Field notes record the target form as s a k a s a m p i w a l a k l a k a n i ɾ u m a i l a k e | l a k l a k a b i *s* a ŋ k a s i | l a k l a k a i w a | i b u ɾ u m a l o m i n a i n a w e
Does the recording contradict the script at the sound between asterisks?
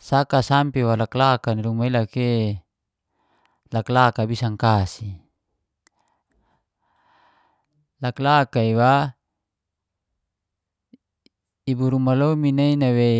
no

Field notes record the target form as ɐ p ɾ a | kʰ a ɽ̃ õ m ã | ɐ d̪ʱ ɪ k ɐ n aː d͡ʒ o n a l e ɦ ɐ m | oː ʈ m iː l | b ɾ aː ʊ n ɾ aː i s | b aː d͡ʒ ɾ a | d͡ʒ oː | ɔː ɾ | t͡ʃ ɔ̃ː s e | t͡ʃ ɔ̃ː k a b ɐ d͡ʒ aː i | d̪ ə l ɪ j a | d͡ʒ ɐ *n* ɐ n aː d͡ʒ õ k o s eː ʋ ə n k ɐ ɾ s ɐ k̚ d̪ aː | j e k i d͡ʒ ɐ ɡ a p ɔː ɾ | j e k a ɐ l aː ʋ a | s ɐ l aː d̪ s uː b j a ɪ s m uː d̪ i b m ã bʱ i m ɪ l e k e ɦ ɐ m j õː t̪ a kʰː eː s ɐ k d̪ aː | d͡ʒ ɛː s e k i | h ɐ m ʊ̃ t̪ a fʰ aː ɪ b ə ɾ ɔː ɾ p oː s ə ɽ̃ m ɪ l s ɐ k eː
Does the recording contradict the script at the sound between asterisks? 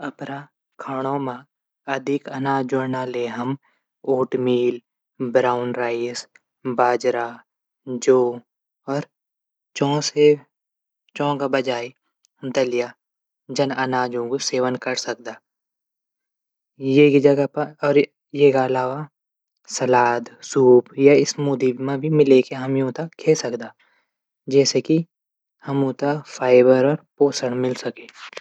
no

